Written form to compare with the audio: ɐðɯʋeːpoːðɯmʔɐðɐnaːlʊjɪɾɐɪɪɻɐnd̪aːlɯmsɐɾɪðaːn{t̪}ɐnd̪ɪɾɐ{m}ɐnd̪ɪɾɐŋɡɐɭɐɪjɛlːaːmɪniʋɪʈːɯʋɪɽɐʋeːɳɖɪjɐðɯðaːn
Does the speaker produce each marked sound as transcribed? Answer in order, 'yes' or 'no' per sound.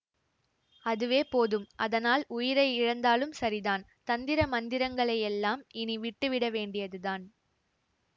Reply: yes, yes

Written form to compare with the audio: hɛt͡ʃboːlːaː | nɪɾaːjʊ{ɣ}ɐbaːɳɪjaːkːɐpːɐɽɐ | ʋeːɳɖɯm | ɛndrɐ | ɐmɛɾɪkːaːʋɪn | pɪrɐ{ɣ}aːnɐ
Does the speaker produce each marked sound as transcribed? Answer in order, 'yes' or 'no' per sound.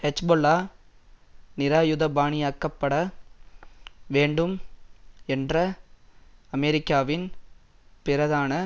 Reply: no, no

